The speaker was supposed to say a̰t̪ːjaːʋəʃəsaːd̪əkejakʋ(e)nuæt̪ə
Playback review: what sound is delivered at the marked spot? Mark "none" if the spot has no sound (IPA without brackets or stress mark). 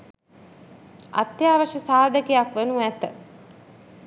e